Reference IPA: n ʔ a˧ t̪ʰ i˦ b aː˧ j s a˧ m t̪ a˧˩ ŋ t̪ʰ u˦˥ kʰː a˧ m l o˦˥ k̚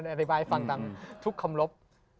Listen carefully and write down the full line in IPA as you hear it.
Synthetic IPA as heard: n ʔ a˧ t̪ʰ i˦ b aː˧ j f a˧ ŋ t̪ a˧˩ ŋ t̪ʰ u˦˥ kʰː a˧ m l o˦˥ p̚